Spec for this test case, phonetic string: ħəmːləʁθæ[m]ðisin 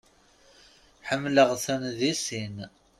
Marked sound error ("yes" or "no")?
yes